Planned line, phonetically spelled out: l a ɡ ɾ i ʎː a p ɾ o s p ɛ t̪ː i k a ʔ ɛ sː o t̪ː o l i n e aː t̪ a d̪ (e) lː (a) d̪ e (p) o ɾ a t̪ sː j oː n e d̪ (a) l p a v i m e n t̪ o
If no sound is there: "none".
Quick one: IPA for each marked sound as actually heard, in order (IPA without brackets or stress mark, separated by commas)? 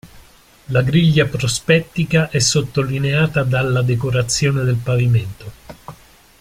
a, a, k, e